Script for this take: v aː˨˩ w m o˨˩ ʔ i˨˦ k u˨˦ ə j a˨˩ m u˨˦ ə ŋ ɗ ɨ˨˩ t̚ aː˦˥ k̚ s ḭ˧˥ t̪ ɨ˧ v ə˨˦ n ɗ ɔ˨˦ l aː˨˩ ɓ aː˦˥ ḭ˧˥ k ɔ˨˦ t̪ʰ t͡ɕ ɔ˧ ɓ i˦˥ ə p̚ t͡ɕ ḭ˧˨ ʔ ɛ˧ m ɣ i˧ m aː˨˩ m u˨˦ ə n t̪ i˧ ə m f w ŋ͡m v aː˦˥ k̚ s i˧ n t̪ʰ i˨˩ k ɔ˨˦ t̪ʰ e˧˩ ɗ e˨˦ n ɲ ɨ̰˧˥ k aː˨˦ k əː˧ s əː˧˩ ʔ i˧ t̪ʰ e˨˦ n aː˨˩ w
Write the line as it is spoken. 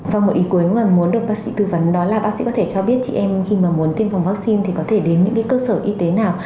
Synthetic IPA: v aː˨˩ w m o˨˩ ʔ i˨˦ k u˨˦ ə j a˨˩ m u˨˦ ə n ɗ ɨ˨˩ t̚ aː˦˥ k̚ s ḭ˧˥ t̪ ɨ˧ v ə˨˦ n ɗ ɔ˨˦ l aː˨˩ ɓ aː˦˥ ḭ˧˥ k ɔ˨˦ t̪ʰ t͡ɕ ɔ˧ ɓ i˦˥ ə t̚ t͡ɕ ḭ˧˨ ʔ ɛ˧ m x i˧ m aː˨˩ m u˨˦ ə n t̪ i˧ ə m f w ŋ͡m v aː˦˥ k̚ s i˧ n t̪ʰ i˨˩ k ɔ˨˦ t̪ʰ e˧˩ ɗ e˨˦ n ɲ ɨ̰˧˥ k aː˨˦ k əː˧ s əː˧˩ ʔ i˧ t̪ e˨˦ n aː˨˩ w